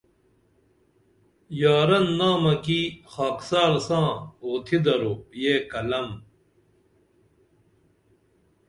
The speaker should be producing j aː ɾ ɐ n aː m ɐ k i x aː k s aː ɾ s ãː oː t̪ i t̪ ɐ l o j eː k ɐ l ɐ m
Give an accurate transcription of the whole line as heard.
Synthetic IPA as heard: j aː ɾ ɐ nː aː m ɐ k i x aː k s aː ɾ s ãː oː t̪ʰ i d̪ ɐ ɾ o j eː k ɐ l ɐ m